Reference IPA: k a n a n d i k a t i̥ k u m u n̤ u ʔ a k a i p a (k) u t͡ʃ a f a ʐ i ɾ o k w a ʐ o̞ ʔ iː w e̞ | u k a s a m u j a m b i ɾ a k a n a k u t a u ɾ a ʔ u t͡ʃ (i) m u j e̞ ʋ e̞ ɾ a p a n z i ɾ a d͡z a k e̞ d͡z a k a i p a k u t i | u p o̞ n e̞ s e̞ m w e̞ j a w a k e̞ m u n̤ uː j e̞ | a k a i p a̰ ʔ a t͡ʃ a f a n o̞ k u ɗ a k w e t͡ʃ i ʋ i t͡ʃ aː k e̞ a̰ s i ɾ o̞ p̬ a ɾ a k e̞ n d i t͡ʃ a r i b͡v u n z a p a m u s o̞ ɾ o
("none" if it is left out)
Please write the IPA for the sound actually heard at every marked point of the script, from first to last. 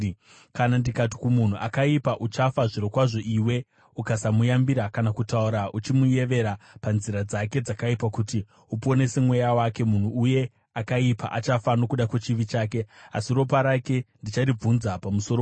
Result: ʔ, i

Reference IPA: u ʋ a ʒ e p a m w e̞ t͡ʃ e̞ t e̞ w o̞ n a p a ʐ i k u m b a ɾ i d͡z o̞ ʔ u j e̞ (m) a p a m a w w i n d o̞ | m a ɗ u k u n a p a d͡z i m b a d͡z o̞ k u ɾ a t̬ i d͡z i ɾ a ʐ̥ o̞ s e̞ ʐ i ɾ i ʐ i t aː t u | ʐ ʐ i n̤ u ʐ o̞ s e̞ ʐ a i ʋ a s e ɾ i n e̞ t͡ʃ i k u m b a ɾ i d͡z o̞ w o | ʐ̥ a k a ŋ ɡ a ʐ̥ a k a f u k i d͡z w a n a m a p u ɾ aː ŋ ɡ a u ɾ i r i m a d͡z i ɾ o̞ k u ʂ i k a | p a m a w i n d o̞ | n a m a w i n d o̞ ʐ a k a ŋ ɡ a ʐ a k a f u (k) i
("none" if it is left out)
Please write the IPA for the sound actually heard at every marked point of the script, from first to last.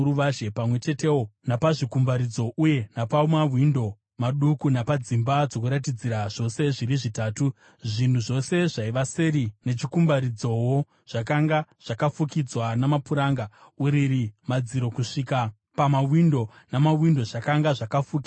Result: n, k

